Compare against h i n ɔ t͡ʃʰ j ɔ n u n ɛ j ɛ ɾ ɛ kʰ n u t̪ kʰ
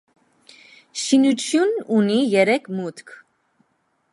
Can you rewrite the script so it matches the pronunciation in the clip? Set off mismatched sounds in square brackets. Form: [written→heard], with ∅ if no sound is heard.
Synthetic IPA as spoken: [h→ʃ] i n [ɔ→u] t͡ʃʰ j [ɔ→u] n u n [ɛ→i] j ɛ ɾ ɛ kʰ [n→m] u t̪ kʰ